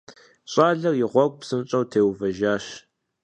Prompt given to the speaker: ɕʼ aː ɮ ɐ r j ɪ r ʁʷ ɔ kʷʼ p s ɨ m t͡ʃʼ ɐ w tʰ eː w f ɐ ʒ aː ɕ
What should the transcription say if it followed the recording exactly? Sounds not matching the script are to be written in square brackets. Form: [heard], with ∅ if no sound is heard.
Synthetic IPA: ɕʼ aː ɮ ɐ r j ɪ [∅] ʁʷ ɔ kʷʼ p s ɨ m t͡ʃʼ ɐ w tʰ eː w [v] ɐ ʒ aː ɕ